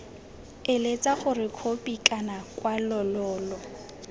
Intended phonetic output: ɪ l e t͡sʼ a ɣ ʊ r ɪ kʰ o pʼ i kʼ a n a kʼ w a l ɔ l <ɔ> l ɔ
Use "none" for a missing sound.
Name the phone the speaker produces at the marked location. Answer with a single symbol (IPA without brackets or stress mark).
ɔː